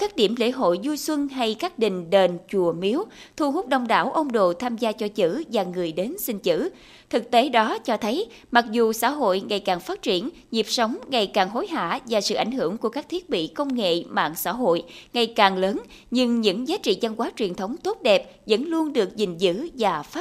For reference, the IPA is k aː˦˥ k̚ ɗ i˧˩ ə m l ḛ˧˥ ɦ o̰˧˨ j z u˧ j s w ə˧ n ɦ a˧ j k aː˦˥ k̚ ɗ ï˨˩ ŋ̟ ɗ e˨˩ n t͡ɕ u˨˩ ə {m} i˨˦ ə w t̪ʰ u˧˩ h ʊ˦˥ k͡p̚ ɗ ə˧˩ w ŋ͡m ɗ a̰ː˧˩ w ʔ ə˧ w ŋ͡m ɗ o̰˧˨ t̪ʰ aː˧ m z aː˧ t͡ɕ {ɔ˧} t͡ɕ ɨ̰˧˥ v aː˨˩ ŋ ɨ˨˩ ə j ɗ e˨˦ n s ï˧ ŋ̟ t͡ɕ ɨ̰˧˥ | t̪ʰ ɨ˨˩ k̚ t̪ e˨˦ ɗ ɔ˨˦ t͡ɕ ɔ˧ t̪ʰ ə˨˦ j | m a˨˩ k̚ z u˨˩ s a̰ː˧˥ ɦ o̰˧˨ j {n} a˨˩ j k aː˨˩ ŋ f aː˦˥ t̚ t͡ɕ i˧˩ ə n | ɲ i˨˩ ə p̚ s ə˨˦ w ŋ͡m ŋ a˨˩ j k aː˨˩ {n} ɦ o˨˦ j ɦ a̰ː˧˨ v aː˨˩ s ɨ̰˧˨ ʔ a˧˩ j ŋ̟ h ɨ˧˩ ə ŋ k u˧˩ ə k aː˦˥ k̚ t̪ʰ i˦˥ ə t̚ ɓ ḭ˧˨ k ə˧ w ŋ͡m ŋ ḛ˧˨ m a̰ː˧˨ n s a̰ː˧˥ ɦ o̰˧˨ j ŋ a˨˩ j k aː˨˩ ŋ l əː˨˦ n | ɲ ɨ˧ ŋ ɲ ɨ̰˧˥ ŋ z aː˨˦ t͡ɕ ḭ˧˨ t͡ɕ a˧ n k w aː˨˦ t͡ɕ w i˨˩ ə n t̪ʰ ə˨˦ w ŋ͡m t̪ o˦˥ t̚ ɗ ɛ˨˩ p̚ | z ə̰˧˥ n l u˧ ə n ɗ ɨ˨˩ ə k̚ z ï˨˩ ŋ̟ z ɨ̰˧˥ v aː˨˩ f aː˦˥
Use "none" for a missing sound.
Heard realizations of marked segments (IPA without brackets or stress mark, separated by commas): m, ɔ˧, ŋ, ŋ